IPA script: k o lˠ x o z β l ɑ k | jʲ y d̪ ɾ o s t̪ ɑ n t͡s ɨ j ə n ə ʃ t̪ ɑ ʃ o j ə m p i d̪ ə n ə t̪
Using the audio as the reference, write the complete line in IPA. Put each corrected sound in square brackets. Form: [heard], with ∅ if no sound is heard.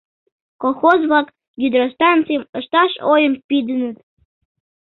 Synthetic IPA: k o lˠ x o z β l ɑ k | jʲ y d̪ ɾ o s t̪ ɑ n t͡s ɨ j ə [m] ə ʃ t̪ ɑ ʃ o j ə m p i d̪ ə n ə t̪